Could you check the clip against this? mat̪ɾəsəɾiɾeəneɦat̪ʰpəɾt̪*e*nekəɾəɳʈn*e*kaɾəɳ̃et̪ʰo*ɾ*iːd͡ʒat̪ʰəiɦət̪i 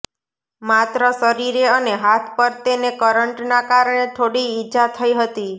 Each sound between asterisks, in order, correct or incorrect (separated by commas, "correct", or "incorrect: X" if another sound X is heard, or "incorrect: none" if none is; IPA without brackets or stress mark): correct, incorrect: a, incorrect: ɽ